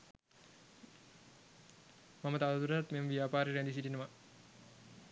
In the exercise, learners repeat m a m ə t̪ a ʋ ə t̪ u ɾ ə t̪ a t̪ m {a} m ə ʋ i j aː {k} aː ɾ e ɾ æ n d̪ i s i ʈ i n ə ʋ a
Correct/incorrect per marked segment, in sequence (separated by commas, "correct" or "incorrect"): incorrect, incorrect